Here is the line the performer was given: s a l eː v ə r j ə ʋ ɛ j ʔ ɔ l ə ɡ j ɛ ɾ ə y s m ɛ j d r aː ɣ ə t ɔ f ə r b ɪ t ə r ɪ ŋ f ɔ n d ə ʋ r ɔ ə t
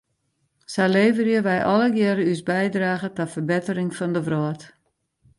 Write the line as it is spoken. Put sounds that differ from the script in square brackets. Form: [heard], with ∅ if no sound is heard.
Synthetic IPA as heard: s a l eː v ə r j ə ʋ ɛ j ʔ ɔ l ə ɡ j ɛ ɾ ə y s [b] ɛ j d r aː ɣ ə t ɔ f ə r b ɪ t ə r ɪ ŋ f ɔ n d ə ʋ r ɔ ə t